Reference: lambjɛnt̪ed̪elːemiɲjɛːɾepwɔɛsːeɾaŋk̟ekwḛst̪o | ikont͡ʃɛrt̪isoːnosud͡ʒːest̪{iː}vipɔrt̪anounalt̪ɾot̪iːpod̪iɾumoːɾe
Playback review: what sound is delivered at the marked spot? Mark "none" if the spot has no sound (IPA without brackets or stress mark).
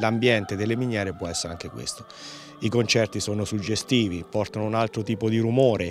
iː